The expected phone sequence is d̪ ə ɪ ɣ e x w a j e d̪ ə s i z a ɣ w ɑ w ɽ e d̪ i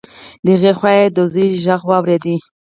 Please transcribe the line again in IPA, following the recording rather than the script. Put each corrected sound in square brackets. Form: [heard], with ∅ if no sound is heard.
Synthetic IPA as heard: d̪ ə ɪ ɣ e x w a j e d̪ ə [z] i [ʒ] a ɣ w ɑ w [ɾ] e d̪ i